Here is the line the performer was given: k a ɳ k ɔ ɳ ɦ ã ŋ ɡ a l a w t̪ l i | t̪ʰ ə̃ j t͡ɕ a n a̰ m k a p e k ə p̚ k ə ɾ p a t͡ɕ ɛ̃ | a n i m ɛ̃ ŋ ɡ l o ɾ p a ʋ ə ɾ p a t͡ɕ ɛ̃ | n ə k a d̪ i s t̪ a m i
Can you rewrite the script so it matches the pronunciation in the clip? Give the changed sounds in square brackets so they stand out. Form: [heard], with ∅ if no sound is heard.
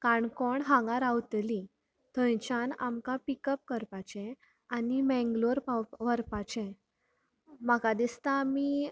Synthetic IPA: k a ɳ k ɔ ɳ ɦ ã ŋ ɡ a [ɾ] a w t̪ l i | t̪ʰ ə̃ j t͡ɕ a n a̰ m k a p [i] k ə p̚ k ə ɾ p a t͡ɕ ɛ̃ | a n i m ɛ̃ ŋ ɡ l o ɾ p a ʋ ə ɾ p a t͡ɕ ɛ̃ | [m] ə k a d̪ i s t̪ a m i